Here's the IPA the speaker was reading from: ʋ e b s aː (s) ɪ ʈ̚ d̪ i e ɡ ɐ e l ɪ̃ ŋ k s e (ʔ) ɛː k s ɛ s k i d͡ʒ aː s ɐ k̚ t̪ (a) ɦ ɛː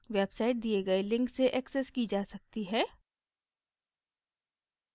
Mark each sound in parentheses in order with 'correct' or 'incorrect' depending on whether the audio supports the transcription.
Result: incorrect, correct, incorrect

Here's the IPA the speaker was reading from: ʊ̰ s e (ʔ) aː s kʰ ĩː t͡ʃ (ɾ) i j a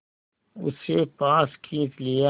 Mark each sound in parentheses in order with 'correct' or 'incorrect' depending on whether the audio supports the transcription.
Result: incorrect, incorrect

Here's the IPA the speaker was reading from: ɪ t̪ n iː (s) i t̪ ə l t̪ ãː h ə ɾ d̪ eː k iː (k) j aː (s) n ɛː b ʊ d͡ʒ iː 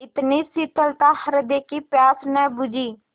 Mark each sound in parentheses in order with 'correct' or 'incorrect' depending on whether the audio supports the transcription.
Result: correct, incorrect, correct

